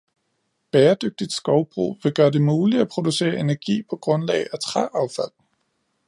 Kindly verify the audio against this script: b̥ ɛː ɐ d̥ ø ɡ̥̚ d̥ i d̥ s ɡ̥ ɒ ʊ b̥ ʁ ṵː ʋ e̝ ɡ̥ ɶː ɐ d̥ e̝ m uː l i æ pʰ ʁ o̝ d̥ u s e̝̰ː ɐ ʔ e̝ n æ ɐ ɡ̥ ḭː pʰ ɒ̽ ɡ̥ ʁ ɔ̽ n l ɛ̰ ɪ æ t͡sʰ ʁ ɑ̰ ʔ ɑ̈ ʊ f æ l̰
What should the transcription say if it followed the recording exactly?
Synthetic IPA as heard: b̥ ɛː ɐ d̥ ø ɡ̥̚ d̥ i d̥ s ɡ̥ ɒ ʊ b̥ ʁ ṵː ʋ e̝ ɡ̥ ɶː ɐ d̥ e̝ m uː l i æ pʰ ʁ o̝ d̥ u s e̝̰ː ɐ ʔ e̝ n æ ɐ ɡ̥ ḭː pʰ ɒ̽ ɡ̥ ʁ ɔ̽ n l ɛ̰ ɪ æ t͡sʰ ʁ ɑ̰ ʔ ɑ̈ ʊ f æ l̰